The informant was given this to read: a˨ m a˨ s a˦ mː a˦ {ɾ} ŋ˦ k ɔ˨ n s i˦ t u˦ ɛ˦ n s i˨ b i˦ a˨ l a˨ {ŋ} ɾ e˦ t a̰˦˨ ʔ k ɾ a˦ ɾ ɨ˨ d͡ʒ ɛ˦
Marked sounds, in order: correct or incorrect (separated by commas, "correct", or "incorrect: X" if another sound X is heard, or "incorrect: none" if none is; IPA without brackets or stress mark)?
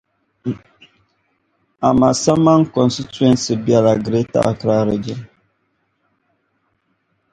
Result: incorrect: none, incorrect: ɡ